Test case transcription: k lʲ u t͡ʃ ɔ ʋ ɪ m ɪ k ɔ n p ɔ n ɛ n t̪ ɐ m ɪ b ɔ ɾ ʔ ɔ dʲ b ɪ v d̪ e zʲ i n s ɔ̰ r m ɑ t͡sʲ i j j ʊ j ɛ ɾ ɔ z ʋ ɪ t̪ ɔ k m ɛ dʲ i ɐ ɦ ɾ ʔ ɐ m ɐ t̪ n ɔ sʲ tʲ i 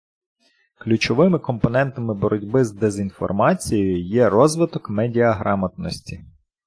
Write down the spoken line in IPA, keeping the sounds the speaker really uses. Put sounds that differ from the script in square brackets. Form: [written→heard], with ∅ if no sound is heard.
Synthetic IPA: k lʲ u t͡ʃ ɔ ʋ ɪ m ɪ k ɔ [n→m] p ɔ n ɛ n t̪ ɐ m ɪ b ɔ ɾ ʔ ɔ dʲ b ɪ [v→z] d̪ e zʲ i n [s→f] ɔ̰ r m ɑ t͡sʲ i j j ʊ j ɛ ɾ ɔ z ʋ ɪ t̪ ɔ k m ɛ dʲ i ɐ ɦ ɾ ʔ [ɐ→ɑ] m ɐ t̪ n ɔ sʲ tʲ i